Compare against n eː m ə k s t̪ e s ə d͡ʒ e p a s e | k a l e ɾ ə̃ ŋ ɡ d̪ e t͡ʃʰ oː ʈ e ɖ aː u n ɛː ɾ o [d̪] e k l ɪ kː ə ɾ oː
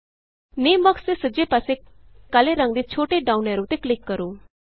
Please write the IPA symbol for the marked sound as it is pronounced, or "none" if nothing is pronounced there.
t̪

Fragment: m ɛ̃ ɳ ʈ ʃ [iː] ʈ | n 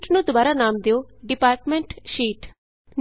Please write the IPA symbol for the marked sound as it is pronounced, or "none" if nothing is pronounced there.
iː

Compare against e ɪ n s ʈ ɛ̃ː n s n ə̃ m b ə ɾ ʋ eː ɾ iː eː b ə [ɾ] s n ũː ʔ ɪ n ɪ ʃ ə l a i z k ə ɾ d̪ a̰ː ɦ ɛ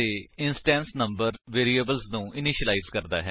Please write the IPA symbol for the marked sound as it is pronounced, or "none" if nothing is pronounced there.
l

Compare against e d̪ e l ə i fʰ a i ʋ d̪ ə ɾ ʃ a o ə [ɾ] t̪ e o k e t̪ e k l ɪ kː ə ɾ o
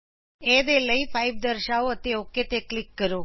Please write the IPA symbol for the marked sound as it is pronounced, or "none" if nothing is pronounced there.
none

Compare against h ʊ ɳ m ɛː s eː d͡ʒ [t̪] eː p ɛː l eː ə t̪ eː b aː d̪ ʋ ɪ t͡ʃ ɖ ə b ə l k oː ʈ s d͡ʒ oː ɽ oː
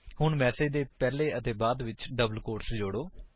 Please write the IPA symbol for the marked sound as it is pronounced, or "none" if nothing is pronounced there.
d̪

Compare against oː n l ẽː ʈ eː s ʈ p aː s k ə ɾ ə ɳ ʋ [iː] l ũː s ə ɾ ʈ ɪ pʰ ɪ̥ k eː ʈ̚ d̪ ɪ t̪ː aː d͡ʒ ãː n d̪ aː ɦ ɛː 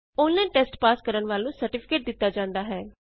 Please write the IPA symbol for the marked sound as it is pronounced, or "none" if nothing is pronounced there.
aː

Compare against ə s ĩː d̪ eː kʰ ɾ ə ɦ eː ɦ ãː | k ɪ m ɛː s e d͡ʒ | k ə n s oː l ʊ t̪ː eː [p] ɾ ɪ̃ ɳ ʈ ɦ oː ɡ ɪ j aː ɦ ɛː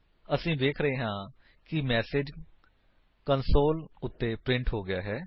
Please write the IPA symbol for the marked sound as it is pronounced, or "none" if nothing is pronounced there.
p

